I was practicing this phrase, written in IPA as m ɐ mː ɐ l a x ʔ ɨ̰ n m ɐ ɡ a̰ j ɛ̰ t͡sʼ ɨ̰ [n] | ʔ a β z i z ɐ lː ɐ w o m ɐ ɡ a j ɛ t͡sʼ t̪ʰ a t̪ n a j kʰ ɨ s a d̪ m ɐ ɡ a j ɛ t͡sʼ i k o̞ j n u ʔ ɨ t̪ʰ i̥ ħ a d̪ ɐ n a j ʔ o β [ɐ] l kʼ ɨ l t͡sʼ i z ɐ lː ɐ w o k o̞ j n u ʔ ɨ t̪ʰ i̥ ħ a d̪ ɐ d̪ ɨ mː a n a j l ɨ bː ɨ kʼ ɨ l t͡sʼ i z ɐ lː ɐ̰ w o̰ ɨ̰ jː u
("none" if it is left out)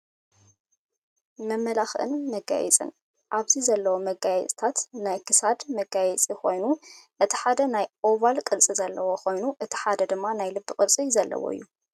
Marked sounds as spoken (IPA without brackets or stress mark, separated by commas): n, a